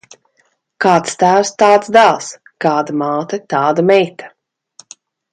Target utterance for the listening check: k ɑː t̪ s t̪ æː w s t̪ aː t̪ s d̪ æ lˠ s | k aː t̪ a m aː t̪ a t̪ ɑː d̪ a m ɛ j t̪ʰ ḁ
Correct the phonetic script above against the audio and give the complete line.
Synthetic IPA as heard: k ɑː t̪ s t̪ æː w s t̪ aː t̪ s d̪ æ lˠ s | k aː d̪ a m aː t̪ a t̪ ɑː d̪ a m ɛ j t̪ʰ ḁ